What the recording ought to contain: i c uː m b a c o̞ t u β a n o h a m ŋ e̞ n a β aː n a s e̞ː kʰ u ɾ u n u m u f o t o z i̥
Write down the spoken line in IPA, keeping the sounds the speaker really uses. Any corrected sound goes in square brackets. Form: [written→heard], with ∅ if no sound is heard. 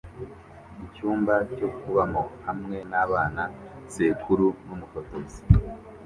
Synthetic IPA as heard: i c uː m b a c o̞ [t→k] u β a [n→m] o h a m ŋ e̞ n a β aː n a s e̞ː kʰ u ɾ u n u m u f o t o z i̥